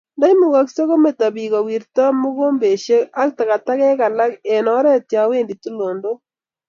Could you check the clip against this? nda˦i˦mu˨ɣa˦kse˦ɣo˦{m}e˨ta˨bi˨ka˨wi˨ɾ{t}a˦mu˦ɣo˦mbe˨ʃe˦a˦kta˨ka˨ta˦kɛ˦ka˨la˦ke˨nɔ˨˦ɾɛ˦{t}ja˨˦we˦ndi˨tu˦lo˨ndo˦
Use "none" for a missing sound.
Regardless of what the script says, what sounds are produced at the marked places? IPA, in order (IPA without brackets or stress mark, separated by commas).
m, t, t